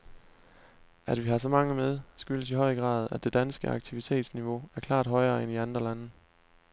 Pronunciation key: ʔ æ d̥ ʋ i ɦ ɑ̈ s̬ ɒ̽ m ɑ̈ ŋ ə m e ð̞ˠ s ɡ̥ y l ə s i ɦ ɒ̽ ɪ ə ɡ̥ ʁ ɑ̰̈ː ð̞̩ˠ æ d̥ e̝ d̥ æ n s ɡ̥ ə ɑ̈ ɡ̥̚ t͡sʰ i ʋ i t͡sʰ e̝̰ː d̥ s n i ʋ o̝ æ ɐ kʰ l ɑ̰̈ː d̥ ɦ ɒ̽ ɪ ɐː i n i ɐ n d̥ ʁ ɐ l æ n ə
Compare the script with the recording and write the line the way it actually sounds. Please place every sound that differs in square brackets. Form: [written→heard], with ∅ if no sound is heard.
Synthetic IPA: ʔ æ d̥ ʋ i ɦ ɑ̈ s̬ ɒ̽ m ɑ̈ ŋ ə m e ð̞ˠ s ɡ̥ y l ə s i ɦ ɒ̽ ɪ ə ɡ̥ ʁ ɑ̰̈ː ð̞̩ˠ æ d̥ e̝ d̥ æ n s ɡ̥ ə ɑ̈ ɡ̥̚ t͡sʰ i ʋ i t͡sʰ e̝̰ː d̥ s n i ʋ o̝ æ ɐ kʰ l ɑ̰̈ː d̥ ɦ ɒ̽ ɪ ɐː [i→e] n i [ɐ→ɑ] n d̥ ʁ ɐ l æ n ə

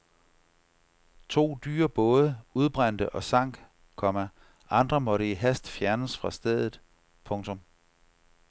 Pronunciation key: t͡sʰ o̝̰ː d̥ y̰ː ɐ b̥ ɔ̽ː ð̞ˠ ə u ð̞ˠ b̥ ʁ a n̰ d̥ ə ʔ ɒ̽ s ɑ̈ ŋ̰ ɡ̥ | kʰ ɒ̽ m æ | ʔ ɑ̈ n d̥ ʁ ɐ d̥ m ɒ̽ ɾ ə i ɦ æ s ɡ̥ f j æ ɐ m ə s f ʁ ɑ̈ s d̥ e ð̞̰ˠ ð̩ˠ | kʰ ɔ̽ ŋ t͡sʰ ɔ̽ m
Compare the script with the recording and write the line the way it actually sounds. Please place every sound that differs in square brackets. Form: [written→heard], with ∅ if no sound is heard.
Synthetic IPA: t͡sʰ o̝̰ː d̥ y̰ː ɐ b̥ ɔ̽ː ð̞ˠ ə u ð̞ˠ b̥ ʁ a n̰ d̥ ə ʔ ɒ̽ s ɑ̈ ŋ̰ ɡ̥ | kʰ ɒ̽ m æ | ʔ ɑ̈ n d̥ ʁ ɐ [d̥→∅] m ɒ̽ ɾ ə i ɦ æ s [ɡ̥→d̥] f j æ ɐ [m→n] ə s f ʁ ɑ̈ s d̥ e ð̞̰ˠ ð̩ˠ | [kʰ→pʰ] ɔ̽ ŋ t͡sʰ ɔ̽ m

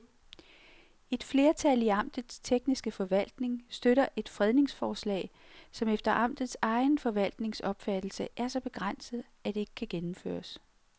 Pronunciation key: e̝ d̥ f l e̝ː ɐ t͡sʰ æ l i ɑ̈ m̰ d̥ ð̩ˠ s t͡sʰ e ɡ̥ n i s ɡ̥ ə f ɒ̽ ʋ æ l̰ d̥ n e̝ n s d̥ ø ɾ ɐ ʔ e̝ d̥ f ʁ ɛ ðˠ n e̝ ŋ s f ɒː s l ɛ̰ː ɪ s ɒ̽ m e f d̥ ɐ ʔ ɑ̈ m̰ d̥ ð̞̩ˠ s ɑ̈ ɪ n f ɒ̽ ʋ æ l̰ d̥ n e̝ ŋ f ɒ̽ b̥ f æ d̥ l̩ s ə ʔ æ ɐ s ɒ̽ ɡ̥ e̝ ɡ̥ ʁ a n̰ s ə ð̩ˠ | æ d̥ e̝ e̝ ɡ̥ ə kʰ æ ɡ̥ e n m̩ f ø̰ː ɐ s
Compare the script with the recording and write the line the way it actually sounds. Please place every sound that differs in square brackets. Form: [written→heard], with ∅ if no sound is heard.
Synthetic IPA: e̝ d̥ f l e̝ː ɐ t͡sʰ æ l i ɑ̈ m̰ d̥ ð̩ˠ s t͡sʰ e ɡ̥ n i s ɡ̥ ə f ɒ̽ ʋ æ l̰ d̥ n e̝ [n→ŋ] s d̥ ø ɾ ɐ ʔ e̝ d̥ f ʁ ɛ ðˠ n e̝ ŋ s f ɒː s l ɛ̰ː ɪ s ɒ̽ m e f d̥ ɐ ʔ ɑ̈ m̰ d̥ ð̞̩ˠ s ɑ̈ ɪ n f ɒ̽ ʋ æ l̰ d̥ n e̝ ŋ [f→s] ɒ̽ b̥ f æ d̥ l̩ s ə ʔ æ ɐ s ɒ̽ [ɡ̥→b̥] e̝ ɡ̥ ʁ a n̰ s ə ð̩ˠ | æ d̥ e̝ e̝ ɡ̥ ə kʰ æ ɡ̥ e n m̩ f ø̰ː ɐ s

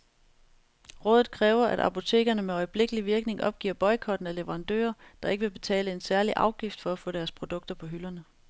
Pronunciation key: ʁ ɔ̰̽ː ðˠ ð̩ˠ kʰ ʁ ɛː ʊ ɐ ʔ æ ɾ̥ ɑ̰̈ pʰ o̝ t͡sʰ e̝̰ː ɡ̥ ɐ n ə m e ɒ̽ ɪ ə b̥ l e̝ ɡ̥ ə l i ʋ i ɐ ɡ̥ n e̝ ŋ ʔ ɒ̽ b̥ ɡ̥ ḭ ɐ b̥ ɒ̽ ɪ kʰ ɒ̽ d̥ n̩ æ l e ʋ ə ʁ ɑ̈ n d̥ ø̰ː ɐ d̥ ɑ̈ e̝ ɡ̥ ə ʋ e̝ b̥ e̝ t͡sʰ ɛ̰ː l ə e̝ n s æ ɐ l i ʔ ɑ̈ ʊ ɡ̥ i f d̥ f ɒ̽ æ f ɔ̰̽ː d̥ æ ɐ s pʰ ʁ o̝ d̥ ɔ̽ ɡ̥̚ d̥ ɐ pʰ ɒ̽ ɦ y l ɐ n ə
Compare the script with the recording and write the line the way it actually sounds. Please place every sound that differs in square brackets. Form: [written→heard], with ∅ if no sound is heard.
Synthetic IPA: ʁ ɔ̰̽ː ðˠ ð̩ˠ kʰ ʁ ɛː ʊ ɐ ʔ æ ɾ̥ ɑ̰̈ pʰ o̝ t͡sʰ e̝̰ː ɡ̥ ɐ n ə m e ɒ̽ ɪ ə b̥ l e̝ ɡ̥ ə l i ʋ i ɐ ɡ̥ n e̝ ŋ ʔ ɒ̽ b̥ ɡ̥ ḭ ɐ b̥ ɒ̽ ɪ kʰ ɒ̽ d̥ n̩ æ l e ʋ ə ʁ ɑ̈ n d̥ ø̰ː ɐ d̥ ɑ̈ e̝ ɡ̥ ə ʋ e̝ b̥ e̝ t͡sʰ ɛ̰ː l ə e̝ n s æ ɐ l i ʔ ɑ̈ ʊ ɡ̥ i f d̥ f ɒ̽ æ f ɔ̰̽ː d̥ æ ɐ s pʰ ʁ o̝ d̥ ɔ̽ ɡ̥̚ d̥ ɐ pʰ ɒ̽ ɦ y l ɐ n ə

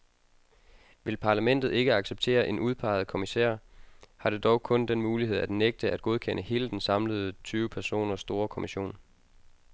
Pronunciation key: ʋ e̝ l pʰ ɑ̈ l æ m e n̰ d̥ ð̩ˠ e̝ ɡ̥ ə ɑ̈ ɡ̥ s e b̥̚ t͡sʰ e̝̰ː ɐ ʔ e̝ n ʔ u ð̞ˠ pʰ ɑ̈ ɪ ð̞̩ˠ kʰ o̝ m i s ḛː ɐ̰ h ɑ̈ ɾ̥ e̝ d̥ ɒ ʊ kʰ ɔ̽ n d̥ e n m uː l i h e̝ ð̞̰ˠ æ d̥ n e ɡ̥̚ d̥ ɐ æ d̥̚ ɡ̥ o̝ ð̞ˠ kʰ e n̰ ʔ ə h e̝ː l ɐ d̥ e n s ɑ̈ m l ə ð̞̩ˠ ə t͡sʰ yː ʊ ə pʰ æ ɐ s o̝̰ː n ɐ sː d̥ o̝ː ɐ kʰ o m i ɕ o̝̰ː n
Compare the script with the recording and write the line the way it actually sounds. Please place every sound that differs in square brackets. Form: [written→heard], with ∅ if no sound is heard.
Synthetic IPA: ʋ e̝ l pʰ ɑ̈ l æ m e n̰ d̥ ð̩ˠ e̝ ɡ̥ ə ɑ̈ ɡ̥ s e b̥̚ t͡sʰ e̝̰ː ɐ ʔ e̝ n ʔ u ð̞ˠ pʰ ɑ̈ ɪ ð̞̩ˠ kʰ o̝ m i s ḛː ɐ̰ h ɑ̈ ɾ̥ e̝ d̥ ɒ ʊ kʰ ɔ̽ n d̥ e n m uː l i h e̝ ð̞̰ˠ æ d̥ n e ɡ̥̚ d̥ [ɐ→ə] æ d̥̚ ɡ̥ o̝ ð̞ˠ kʰ e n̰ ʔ ə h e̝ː l [ɐ→ə] d̥ e n s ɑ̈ m l ə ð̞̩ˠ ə t͡sʰ yː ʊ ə pʰ æ ɐ s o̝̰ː n ɐ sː d̥ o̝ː ɐ kʰ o m i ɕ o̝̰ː n

